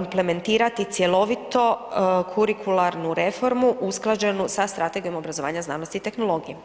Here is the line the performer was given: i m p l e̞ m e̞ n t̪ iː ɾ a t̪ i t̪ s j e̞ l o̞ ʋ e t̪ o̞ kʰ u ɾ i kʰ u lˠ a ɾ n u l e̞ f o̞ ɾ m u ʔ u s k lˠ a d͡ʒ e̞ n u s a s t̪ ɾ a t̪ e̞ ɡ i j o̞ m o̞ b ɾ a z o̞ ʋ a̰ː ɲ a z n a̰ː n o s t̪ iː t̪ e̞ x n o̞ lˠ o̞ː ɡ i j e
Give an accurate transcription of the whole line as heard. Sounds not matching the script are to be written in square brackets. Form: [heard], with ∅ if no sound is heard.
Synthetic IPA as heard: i m p l e̞ m e̞ n t̪ iː ɾ a t̪ i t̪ s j e̞ l o̞ ʋ [i] t̪ o̞ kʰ u ɾ i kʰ u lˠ a ɾ n u [ɾ] e̞ f o̞ ɾ m u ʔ u s k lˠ a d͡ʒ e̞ n u s a s t̪ ɾ a t̪ e̞ ɡ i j o̞ m o̞ b ɾ a z o̞ ʋ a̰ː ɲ a z n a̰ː n o s t̪ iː t̪ e̞ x n o̞ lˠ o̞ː ɡ i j e